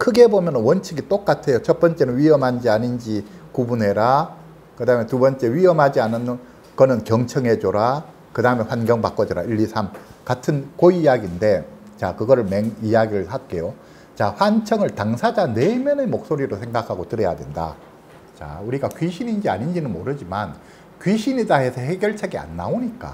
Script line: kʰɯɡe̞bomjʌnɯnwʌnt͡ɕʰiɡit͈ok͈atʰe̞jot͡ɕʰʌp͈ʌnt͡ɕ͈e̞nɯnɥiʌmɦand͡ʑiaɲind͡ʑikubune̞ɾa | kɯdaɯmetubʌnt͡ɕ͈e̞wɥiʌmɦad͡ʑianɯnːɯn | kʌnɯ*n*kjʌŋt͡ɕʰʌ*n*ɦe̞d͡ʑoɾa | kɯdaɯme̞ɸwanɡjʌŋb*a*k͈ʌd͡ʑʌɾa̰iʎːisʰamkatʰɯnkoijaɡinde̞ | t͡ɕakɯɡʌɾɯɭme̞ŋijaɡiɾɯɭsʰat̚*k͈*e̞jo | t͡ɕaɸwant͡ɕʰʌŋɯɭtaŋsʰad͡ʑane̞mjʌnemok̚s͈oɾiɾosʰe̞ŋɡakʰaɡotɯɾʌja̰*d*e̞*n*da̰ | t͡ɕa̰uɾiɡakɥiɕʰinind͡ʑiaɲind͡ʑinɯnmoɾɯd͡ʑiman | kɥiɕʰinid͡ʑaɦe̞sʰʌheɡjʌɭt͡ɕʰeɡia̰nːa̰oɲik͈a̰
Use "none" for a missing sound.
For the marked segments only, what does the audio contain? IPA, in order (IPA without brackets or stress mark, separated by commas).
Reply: n, ŋ, a, k͈, d, n